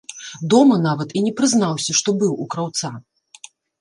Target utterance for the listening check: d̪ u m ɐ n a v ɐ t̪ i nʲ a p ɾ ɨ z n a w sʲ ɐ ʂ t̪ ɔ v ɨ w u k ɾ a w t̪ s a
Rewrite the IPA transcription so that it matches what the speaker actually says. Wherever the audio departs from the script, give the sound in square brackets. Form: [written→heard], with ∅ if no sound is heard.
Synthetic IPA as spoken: d̪ [u→ɔ] m ɐ n a v ɐ t̪ i nʲ [a→ɛ] p ɾ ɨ z n a w sʲ ɐ ʂ t̪ ɔ [v→b] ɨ w u k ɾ a w t̪ s a

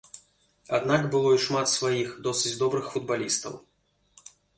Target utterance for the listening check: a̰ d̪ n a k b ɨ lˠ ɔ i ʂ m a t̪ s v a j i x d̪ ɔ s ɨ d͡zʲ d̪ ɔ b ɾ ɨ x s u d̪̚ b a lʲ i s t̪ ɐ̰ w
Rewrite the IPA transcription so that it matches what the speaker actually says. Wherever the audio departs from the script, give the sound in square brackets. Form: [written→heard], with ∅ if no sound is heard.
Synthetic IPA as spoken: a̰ d̪ n a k b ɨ lˠ ɔ i ʂ m a t̪ s v a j i x d̪ ɔ s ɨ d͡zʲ d̪ ɔ b ɾ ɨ x [s→f] u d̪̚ b a lʲ i s t̪ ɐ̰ w

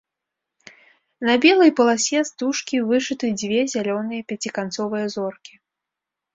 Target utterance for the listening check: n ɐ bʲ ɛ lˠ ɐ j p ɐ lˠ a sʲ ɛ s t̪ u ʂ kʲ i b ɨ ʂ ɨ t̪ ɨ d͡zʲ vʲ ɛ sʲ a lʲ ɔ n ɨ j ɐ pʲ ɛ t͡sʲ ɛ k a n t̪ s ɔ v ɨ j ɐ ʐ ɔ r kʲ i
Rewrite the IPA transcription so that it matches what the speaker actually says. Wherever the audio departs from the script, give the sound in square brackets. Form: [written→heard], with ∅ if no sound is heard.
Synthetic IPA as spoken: n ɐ bʲ ɛ lˠ ɐ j p ɐ lˠ a sʲ ɛ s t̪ u ʂ kʲ i [b→v] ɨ ʂ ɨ t̪ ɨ d͡zʲ vʲ ɛ [sʲ→zʲ] a lʲ ɔ n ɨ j ɐ pʲ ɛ t͡sʲ [ɛ→i] k a n t̪ s ɔ v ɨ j ɐ [ʐ→z] ɔ r kʲ i

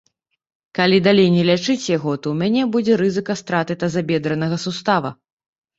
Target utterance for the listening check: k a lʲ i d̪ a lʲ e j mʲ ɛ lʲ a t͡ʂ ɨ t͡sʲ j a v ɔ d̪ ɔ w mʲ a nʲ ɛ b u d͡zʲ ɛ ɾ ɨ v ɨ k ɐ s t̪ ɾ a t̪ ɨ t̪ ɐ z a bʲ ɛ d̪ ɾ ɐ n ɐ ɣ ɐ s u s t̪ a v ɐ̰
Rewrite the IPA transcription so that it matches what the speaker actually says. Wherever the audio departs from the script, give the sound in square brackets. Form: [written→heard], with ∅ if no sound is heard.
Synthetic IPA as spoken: k a lʲ i d̪ a lʲ e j [mʲ→nʲ] ɛ lʲ a t͡ʂ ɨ t͡sʲ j a [v→ɣ] ɔ [d̪→t̪] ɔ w mʲ a nʲ ɛ b u d͡zʲ ɛ ɾ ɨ [v→z] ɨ k ɐ s t̪ ɾ a t̪ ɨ t̪ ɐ z a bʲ ɛ d̪ ɾ ɐ n ɐ ɣ ɐ s u s t̪ a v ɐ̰

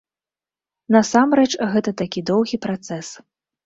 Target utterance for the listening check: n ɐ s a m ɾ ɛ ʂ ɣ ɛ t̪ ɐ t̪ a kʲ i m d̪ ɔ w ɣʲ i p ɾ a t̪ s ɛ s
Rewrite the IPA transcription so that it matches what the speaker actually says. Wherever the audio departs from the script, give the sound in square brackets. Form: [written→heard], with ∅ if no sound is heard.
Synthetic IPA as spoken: n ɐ s a m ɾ ɛ [ʂ→t͡ʂ] ɣ ɛ t̪ ɐ t̪ a kʲ i [m→∅] d̪ ɔ w ɣʲ i p ɾ a t̪ s ɛ s

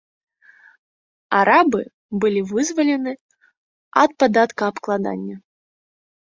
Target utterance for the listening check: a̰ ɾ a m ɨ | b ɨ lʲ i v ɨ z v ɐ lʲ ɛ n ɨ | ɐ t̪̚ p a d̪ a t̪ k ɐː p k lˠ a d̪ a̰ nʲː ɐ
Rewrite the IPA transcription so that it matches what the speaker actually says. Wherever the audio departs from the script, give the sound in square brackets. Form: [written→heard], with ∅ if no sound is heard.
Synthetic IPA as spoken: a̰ ɾ a [m→b] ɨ | b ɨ lʲ i v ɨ z v ɐ lʲ ɛ n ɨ | ɐ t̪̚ p a d̪ a t̪ k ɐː p k lˠ a d̪ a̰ nʲː ɐ

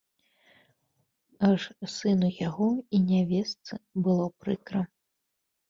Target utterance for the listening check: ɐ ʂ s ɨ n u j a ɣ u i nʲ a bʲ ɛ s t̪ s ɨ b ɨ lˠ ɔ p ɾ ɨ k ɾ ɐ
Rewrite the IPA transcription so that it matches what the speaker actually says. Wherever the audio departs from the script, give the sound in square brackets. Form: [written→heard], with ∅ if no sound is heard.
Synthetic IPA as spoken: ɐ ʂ s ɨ n u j a ɣ [u→ɔ] i nʲ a [bʲ→vʲ] ɛ s t̪ s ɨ b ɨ lˠ ɔ p ɾ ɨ k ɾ ɐ

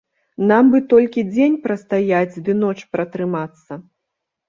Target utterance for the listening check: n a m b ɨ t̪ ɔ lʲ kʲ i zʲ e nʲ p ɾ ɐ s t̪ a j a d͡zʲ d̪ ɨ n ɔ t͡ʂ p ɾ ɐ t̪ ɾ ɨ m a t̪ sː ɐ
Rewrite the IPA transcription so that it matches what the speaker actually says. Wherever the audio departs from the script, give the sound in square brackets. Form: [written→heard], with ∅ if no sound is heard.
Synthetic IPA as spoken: n a m b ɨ t̪ ɔ lʲ kʲ i [zʲ→d͡zʲ] e nʲ p ɾ ɐ s t̪ a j a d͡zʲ d̪ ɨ n ɔ t͡ʂ p ɾ ɐ t̪ ɾ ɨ m a t̪ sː ɐ

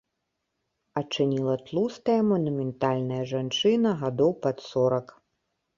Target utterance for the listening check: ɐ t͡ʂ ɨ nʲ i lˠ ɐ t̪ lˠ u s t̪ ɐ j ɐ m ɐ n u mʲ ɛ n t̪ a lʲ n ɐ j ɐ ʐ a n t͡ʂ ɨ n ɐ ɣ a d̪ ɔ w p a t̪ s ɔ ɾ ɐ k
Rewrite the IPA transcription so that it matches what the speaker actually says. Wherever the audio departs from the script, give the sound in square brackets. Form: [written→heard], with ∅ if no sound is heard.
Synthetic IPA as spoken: ɐ t͡ʂ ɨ nʲ i lˠ ɐ t̪ lˠ u s t̪ ɐ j ɐ m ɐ n u mʲ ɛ n t̪ a lʲ n ɐ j ɐ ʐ a n t͡ʂ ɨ n ɐ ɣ a d̪ ɔ w p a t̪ s ɔ ɾ ɐ k

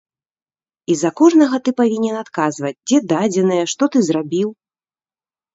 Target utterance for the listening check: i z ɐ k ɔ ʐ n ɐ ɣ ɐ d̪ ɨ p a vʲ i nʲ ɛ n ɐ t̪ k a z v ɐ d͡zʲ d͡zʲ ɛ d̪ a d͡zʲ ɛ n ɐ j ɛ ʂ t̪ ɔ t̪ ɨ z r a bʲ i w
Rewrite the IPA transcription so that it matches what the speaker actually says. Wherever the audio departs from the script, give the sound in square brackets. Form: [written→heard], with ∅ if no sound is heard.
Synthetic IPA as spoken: i z ɐ k ɔ ʐ n ɐ ɣ ɐ [d̪→t̪] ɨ p a vʲ i nʲ ɛ n [ɐ→a] t̪ k a z v ɐ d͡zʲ d͡zʲ ɛ d̪ a d͡zʲ ɛ n ɐ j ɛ ʂ t̪ ɔ t̪ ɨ z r a bʲ i w

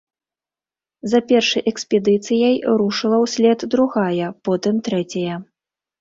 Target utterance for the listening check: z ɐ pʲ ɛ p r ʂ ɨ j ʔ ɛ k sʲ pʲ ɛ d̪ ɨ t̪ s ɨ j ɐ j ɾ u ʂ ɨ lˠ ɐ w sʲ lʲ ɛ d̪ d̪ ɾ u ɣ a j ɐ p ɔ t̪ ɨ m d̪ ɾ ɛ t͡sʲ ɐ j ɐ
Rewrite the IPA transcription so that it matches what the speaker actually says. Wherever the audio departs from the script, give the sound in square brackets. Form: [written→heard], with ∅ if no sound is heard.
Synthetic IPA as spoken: z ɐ pʲ ɛ [p→∅] r ʂ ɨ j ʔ ɛ k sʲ pʲ ɛ d̪ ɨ t̪ s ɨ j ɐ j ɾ u ʂ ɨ lˠ ɐ w sʲ lʲ ɛ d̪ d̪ ɾ u ɣ a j ɐ p ɔ t̪ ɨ m [d̪→t̪] ɾ ɛ t͡sʲ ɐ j ɐ

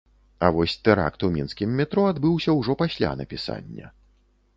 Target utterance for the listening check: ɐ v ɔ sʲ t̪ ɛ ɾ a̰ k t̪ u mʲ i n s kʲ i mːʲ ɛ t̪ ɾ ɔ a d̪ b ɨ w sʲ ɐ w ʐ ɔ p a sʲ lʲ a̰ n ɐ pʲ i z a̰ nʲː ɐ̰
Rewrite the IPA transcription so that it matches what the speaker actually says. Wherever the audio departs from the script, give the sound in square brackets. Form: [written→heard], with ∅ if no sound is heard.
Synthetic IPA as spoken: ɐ v ɔ sʲ t̪ ɛ ɾ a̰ k t̪ u mʲ i n s kʲ i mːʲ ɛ t̪ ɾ ɔ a d̪ b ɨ w sʲ ɐ w ʐ ɔ p a sʲ lʲ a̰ n ɐ pʲ i [z→s] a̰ nʲː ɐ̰

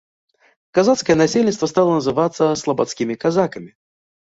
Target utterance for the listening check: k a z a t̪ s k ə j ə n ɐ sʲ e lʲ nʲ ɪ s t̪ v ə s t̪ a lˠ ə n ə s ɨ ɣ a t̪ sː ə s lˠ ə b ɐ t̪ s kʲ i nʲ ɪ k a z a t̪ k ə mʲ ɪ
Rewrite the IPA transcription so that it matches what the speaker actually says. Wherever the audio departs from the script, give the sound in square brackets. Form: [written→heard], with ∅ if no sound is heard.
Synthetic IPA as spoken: k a z a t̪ s k ə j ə n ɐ sʲ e lʲ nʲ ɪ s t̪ v ə s t̪ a lˠ ə n ə [s→z] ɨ [ɣ→v] a t̪ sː ə s lˠ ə b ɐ t̪ s kʲ i [nʲ→mʲ] ɪ k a z a [t̪→∅] k ə mʲ ɪ

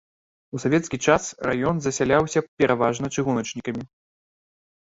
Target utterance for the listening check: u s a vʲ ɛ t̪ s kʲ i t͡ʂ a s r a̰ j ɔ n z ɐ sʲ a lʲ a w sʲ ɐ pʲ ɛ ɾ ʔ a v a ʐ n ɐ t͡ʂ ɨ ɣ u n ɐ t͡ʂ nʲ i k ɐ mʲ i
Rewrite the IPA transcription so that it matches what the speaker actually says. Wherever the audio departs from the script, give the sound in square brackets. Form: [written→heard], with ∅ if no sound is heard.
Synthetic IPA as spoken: u s a vʲ ɛ t̪ s kʲ i t͡ʂ a s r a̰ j ɔ n z ɐ sʲ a lʲ a w sʲ ɐ pʲ ɛ ɾ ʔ a v a ʐ n ɐ t͡ʂ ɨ ɣ u n ɐ t͡ʂ nʲ i k ɐ mʲ i

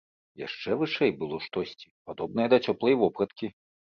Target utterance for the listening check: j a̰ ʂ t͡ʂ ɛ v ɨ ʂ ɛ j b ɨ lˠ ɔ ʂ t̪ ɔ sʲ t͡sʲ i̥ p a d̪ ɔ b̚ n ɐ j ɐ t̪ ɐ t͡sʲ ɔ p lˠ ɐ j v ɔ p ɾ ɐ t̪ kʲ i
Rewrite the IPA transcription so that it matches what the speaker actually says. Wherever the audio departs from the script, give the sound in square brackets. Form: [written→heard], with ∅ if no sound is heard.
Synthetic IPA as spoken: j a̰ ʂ t͡ʂ ɛ v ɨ ʂ ɛ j b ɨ lˠ ɔ ʂ t̪ ɔ sʲ t͡sʲ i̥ p a d̪ ɔ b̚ n ɐ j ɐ [t̪→d̪] ɐ t͡sʲ ɔ p lˠ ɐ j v ɔ p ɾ ɐ t̪ kʲ i

